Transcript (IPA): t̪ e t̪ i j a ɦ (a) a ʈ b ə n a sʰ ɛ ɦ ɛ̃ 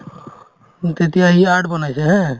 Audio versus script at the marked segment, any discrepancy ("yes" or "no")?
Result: yes